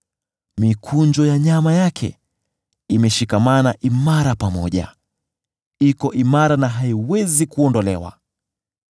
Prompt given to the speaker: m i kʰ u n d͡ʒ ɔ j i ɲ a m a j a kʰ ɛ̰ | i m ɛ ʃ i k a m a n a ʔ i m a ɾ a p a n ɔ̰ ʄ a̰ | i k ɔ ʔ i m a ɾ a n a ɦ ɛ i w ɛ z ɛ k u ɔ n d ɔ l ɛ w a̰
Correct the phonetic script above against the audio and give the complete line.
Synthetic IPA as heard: m i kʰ u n d͡ʒ ɔ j a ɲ a m a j a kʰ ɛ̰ | i m ɛ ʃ i k a m a n a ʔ i m a ɾ a p a m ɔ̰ ʄ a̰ | i k ɔ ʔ i m a ɾ a n a ɦ a i w ɛ z i k u ɔ n d ɔ l ɛ w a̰

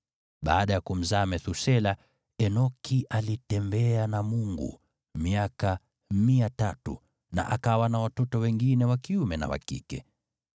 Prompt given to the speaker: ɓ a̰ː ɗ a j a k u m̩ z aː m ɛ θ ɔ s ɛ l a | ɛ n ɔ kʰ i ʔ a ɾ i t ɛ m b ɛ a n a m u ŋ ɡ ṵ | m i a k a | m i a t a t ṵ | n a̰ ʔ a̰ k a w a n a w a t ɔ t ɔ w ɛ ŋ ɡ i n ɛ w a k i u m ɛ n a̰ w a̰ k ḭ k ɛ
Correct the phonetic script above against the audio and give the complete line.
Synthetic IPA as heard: ɓ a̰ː ɗ a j a k u m̩ z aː m ɛ θ u s ɛ l a | ɛ n ɔ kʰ i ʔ a l i t ɛ m b ɛ a n a m u ŋ ɡ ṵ | m i a k a | m i a t a t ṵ | n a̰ ʔ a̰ k a w a n a w a t ɔ t ɔ w ɛ ŋ ɡ i n ɛ w a k i u m ɛ n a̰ w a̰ k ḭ k ɛ

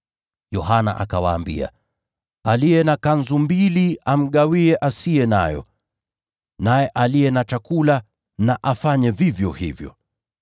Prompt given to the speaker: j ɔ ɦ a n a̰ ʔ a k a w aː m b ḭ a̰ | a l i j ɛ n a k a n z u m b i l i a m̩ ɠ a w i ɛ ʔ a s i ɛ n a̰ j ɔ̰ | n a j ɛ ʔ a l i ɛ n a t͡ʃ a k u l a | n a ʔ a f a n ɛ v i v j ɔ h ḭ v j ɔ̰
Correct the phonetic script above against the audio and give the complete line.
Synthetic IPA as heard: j ɔ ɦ a n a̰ ʔ a k a w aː m b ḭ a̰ | a l i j ɛ n a k a n z u m b i l i a m̩ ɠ a w i ɛ ʔ a s i ɛ n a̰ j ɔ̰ | n a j ɛ ʔ a l i ɛ n a t͡ʃ a k u l a | n a ʔ a f a ɲ ɛ v i v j ɔ h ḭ v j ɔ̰

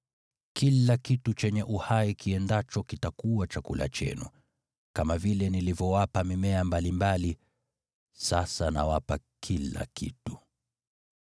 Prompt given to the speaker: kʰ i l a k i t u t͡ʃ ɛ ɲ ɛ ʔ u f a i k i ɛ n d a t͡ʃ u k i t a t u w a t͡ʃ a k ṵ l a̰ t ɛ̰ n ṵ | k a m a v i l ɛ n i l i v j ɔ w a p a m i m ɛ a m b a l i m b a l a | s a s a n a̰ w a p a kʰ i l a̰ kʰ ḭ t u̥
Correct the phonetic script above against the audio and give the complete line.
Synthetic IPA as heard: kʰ i l a k i t u t͡ʃ ɛ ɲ ɛ ʔ u h a i k i ɛ n d a t͡ʃ ɔ k i t a k u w a t͡ʃ a k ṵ l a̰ t͡ʃ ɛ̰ n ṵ | k a m a v i l ɛ n i l i v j ɔ w a p a m i m ɛ a m b a l i m b a l i | s a s a n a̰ w a p a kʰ i l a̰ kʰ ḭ t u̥

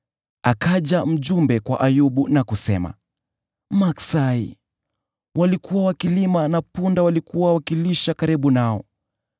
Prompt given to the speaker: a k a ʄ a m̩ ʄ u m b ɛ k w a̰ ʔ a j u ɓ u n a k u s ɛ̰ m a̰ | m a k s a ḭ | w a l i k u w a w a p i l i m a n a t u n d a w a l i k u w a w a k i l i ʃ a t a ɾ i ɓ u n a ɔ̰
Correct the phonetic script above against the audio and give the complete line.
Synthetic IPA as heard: a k a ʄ a m̩ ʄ u m b ɛ k w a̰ ʔ a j u ɓ u n a k u s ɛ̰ m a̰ | m a k s a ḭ | w a l i k u w a w a k i l i m a n a p u n d a w a l i k u w a w a k i l i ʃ a k a ɾ i ɓ u n a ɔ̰

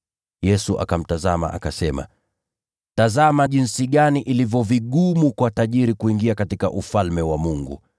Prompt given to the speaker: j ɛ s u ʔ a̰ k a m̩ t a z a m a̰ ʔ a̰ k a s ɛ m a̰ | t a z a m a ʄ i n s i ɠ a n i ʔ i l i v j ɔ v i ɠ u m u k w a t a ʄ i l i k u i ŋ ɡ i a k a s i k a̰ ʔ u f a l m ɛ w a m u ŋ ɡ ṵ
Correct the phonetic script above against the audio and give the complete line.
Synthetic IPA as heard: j ɛ s u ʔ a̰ k a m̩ t a z a m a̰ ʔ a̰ k a s ɛ m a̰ | t a z a m a ʄ i n s i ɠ a n i ʔ i l i v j ɔ v i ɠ u m u k w a t a ʄ i ɾ i k u i ŋ ɡ i a k a t i k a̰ ʔ u f a l m ɛ w a m u ŋ ɡ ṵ

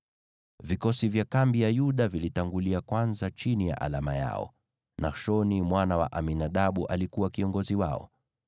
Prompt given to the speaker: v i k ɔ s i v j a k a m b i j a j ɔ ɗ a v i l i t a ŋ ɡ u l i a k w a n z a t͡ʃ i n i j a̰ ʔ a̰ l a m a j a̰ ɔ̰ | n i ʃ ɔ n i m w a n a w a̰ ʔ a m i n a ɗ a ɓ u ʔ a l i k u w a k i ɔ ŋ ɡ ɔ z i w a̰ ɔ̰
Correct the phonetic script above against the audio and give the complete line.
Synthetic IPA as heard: v i k ɔ s i v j a k a m b i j a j u ɗ a v i l i t a ŋ ɡ u l i a k w a n z a t͡ʃ i n i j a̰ ʔ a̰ l a m a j a̰ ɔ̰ | n a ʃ ɔ n i m w a n a w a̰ ʔ a m i n a ɗ a ɓ u ʔ a l i k u w a k i ɔ ŋ ɡ ɔ z i w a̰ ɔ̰

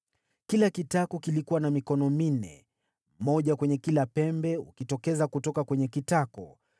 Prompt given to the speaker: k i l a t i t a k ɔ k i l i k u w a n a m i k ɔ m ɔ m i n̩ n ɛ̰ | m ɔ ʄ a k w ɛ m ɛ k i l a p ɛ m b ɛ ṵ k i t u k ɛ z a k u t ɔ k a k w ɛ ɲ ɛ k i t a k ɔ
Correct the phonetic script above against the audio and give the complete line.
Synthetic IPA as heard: k i l a k i t a k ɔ k i l i k u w a n a m i k ɔ n ɔ m i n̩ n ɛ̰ | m ɔ ʄ a k w ɛ ɲ ɛ k i l a p ɛ m b ɛ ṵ k i t ɔ k ɛ z a k u t ɔ k a k w ɛ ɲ ɛ k i t a k ɔ

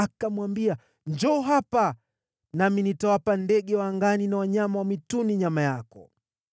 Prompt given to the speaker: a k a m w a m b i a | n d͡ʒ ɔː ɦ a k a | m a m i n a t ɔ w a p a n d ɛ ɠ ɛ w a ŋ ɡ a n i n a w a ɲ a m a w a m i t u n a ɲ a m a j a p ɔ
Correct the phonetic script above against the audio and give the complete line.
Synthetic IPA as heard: a k a m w a m b i a | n d͡ʒ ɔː ɦ a p a | n a m i n i t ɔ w a p a n d ɛ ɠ ɛ w a ŋ ɡ a n i n a w a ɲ a m a w a m i t u n i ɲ a m a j a k ɔ

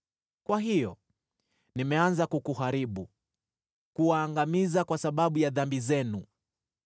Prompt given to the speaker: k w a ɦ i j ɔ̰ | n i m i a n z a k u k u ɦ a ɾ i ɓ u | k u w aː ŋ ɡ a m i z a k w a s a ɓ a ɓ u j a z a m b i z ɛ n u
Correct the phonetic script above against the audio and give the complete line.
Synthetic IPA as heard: k w a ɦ i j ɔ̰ | n i m ɛ a n z a k u k u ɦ a ɾ i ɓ u | k u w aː ŋ ɡ a m i z a k w a s a ɓ a ɓ u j a ð a m b i z ɛ n u

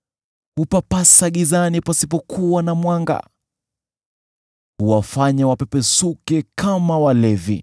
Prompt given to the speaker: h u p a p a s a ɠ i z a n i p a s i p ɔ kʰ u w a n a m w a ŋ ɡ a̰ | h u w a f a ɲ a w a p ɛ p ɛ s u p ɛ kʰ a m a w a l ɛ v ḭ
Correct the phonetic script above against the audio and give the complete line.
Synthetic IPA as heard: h u p a p a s a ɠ i z a n i p a s i p ɔ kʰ u w a n a m w a ŋ ɡ a̰ | h u w a f a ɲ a w a p ɛ p ɛ s u k ɛ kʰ a m a w a l ɛ v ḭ

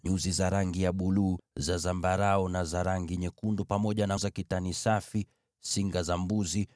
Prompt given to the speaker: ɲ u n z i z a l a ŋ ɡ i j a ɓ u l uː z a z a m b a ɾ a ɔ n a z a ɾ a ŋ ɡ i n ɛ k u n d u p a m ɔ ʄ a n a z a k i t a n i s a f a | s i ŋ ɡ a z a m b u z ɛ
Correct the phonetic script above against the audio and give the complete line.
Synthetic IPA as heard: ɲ u z i z a ɾ a ŋ ɡ i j a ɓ u l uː z a z a m b a ɾ a ɔ n a z a ɾ a ŋ ɡ i ɲ ɛ k u n d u p a m ɔ ʄ a n a z a k i t a n i s a f i | s i ŋ ɡ a z a m b u z i

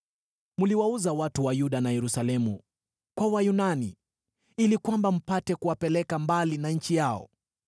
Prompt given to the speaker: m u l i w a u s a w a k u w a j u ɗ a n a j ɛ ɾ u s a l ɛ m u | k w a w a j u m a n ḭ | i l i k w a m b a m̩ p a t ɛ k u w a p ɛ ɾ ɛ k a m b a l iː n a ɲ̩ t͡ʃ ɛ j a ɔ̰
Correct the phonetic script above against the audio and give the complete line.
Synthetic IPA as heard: m u l i w a u z a w a t u w a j u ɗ a n a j ɛ ɾ u s a l ɛ m u | k w a w a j u n a n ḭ | i l i k w a m b a m̩ p a t ɛ k u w a p ɛ l ɛ k a m b a l i n a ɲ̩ t͡ʃ i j a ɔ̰

